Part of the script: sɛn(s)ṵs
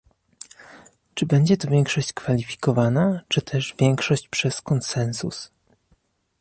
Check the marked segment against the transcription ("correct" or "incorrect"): correct